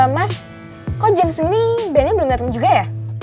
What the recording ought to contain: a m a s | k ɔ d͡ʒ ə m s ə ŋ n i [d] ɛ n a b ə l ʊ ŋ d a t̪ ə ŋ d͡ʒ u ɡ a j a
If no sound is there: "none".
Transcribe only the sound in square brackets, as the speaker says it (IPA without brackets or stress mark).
b